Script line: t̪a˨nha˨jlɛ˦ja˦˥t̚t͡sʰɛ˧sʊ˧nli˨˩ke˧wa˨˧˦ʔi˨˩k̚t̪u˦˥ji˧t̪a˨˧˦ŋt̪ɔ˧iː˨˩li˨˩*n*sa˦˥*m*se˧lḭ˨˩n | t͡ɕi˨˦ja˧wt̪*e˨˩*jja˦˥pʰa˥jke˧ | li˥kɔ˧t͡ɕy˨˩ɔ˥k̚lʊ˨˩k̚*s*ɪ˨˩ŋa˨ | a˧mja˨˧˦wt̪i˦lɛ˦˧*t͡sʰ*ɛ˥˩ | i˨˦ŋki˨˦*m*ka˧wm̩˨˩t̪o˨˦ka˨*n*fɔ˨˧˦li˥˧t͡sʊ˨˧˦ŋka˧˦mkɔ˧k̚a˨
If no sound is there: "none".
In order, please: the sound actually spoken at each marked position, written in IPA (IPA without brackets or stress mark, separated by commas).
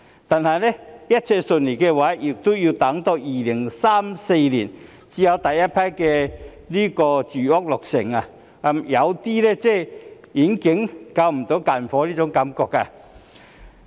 ŋ, m, a˨˩, s, t͡s, ŋ, n